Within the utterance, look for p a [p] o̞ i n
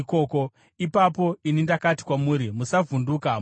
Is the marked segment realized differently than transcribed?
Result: no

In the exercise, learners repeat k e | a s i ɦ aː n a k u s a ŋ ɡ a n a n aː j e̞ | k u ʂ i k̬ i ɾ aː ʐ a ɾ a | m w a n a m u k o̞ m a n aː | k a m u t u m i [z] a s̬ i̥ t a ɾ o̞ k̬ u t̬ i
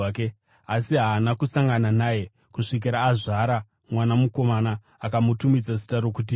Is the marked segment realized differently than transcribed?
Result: yes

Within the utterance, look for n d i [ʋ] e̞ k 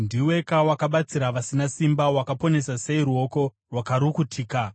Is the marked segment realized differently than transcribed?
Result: yes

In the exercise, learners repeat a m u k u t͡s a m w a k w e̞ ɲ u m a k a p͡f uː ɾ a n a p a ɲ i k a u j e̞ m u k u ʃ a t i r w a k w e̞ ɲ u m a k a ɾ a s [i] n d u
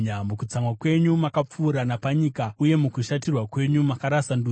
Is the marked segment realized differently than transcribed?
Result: yes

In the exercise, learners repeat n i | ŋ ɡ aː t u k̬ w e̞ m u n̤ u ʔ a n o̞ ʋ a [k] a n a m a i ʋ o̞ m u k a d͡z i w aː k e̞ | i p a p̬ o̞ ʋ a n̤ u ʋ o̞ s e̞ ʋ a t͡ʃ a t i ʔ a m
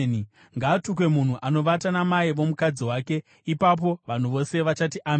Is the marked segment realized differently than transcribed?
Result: yes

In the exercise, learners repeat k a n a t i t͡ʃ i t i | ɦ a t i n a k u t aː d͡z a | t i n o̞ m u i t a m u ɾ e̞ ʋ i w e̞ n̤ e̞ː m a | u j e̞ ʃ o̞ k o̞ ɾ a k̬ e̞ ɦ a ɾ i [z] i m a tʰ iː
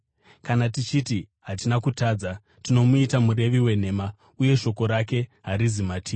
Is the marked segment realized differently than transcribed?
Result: no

